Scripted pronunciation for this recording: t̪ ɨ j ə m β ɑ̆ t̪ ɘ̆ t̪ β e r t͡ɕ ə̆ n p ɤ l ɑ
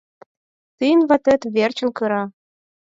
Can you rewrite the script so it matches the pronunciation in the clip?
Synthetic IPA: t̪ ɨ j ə n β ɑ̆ t̪ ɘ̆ t̪ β e r t͡ɕ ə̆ n k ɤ ɾ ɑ